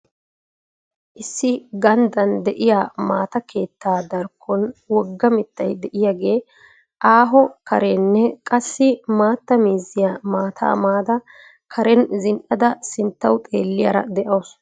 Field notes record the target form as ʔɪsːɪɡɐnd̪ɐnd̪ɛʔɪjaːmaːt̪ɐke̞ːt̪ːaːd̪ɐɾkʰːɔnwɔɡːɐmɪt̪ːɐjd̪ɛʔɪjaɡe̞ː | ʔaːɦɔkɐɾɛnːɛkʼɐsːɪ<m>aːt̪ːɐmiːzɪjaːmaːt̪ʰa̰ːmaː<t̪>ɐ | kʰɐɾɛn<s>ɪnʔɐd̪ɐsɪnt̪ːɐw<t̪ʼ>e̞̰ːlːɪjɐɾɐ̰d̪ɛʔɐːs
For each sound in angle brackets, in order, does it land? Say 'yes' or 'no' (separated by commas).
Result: yes, no, no, yes